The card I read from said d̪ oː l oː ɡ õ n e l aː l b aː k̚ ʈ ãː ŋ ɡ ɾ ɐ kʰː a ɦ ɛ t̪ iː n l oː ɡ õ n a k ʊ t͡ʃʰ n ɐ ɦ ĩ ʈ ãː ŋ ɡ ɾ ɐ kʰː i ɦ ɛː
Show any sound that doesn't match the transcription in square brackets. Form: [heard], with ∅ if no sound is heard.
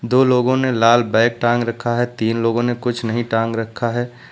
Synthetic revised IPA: d̪ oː l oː ɡ õ n e l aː l b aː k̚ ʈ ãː ŋ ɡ ɾ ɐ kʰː a ɦ ɛ t̪ iː n l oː ɡ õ n [e] k ʊ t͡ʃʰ n ɐ ɦ ĩ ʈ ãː ŋ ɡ ɾ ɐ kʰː [a] ɦ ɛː